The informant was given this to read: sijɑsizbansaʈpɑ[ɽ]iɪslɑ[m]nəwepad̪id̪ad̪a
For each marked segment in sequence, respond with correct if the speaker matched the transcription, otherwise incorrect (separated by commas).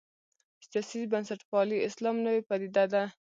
incorrect, correct